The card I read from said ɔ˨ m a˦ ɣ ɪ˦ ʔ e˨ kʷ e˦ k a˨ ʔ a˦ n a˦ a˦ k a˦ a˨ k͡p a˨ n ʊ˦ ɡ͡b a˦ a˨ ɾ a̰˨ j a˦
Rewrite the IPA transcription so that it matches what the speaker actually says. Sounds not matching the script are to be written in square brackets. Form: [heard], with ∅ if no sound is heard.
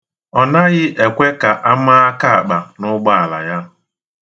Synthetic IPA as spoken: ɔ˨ [n] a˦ ɣ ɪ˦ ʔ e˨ kʷ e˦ k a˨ ʔ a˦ [m] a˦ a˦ k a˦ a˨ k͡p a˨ n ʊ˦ ɡ͡b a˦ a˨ [l] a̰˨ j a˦